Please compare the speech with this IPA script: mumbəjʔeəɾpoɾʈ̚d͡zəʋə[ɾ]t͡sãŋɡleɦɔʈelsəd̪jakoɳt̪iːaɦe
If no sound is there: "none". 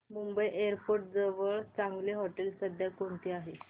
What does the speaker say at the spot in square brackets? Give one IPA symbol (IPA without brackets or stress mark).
ɭ